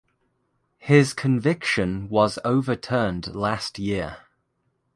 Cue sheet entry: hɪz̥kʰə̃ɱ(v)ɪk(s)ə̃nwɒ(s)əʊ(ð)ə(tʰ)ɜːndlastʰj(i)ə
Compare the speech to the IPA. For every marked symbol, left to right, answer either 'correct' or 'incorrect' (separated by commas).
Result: correct, incorrect, incorrect, incorrect, correct, incorrect